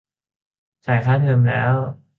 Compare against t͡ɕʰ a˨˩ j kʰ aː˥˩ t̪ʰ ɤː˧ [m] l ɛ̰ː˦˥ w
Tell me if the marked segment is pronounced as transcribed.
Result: yes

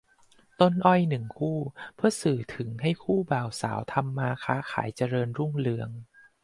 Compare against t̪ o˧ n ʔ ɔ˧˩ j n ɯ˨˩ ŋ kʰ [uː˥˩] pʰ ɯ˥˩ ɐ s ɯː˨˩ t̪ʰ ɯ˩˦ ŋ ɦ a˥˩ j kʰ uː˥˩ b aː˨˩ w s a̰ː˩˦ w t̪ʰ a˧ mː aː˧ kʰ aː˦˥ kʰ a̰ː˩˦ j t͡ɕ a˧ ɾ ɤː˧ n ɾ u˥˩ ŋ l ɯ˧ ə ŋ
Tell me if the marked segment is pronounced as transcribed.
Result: yes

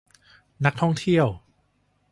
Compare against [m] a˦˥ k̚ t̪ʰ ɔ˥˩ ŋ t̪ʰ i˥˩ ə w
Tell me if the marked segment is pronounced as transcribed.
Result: no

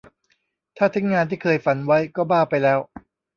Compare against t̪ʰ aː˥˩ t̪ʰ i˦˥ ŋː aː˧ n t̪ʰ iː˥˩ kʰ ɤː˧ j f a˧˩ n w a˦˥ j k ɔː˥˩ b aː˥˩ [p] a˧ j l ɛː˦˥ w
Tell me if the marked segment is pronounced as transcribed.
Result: yes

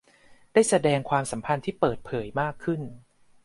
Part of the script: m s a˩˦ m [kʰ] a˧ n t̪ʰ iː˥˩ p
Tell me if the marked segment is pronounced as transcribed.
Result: no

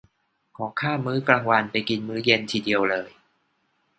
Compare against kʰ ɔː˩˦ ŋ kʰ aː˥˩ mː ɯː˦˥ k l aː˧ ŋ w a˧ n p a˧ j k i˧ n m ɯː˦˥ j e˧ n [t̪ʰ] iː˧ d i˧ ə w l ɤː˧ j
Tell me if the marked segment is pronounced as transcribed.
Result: yes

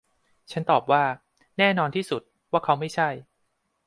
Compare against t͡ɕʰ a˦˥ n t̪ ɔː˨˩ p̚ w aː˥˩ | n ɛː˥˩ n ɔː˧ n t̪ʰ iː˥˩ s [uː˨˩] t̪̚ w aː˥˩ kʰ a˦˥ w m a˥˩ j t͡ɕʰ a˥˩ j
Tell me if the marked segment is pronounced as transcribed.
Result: no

